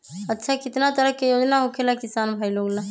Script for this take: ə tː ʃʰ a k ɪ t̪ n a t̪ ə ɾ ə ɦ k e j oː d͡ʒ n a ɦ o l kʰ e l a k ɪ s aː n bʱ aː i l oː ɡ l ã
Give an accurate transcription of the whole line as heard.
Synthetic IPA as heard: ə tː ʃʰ a k ɪ t̪ n a t̪ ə ɾ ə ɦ k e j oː d͡ʒ n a ɦ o kʰ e l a k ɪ s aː n bʱ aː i l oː ɡ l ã